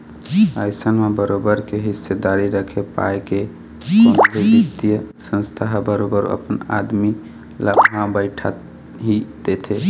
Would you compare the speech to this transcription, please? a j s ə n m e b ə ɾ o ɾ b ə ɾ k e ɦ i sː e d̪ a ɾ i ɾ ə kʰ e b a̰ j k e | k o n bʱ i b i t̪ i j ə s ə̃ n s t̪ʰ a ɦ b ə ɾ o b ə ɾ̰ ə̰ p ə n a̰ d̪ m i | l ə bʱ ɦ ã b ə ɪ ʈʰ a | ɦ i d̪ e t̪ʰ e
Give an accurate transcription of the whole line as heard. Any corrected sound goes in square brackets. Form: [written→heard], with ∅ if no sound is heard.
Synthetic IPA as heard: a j s ə n m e b ə ɾ o [ɾ→∅] b ə ɾ k e ɦ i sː e d̪ a ɾ i ɾ ə kʰ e [b→p] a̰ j k e | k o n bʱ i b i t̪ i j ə s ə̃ n s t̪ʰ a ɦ b ə ɾ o b ə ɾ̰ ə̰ p ə n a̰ d̪ m i | l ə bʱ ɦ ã b ə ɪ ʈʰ a | ɦ i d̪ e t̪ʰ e